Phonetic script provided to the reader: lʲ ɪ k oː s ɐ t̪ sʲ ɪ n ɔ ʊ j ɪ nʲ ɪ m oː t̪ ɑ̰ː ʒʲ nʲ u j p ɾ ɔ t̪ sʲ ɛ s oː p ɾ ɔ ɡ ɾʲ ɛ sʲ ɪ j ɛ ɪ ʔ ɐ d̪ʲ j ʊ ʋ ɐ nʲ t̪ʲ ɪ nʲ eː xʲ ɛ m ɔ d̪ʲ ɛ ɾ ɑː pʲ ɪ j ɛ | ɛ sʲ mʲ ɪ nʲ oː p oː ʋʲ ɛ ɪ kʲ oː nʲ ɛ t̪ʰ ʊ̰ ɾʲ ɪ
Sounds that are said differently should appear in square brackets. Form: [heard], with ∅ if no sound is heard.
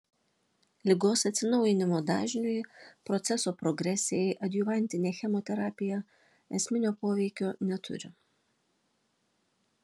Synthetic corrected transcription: lʲ ɪ [ɡ] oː s ɐ t̪ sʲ ɪ n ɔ ʊ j ɪ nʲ ɪ m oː [d̪] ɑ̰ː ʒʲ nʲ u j p ɾ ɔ t̪ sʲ ɛ s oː p ɾ ɔ ɡ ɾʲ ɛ sʲ ɪ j ɛ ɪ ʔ ɐ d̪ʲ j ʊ ʋ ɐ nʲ t̪ʲ ɪ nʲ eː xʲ ɛ m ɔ [t̪ʲ] ɛ ɾ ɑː pʲ ɪ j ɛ | ɛ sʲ mʲ ɪ nʲ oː p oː ʋʲ ɛ ɪ kʲ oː nʲ ɛ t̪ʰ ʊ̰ ɾʲ ɪ